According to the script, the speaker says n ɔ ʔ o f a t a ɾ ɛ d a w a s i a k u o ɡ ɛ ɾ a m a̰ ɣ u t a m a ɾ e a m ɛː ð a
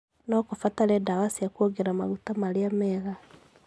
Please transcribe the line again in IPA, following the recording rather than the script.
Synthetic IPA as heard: n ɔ k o f a t a ɾ ɛ d a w a s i a k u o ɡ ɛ ɾ a m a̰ ɣ u t a m a ɾ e a m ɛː ɣ a